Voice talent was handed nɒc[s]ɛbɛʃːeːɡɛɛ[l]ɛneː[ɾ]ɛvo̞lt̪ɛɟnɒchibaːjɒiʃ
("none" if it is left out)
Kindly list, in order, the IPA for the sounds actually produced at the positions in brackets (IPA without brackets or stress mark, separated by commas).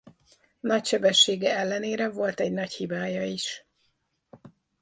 ʃ, lː, ɾ